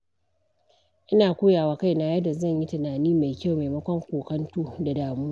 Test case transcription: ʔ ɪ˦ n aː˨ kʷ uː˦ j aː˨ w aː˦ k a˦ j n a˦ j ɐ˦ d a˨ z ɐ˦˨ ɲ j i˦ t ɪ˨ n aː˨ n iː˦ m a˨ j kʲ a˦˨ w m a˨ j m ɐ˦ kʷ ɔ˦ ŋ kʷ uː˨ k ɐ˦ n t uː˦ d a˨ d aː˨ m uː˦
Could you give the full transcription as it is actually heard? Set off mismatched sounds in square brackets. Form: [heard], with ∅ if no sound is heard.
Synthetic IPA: ʔ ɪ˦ n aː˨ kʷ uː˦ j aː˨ w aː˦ k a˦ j n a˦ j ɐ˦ d a˨ z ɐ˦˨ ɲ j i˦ t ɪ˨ n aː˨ n iː˦ m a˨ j kʲ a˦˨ w m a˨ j m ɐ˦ kʷ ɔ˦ ŋ kʷ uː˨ k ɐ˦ n t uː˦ d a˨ d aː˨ m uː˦